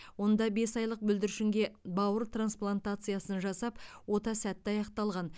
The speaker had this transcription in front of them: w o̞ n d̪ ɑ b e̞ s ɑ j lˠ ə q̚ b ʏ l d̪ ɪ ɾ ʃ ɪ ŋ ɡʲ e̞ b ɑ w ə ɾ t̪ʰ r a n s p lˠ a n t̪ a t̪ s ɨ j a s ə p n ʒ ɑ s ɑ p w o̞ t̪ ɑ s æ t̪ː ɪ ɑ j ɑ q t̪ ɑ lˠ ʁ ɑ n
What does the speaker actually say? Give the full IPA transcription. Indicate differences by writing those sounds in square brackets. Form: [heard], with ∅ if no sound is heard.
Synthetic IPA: w o̞ n d̪ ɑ b e̞ s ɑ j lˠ ə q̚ b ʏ l d̪ ɪ ɾ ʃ ɪ ŋ ɡʲ e̞ b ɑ w ə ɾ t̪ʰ r a n s p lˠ a n t̪ a t̪ s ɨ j a s ə [∅] n ʒ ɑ s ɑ p w o̞ t̪ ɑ s æ t̪ː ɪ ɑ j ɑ q t̪ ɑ lˠ ʁ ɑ n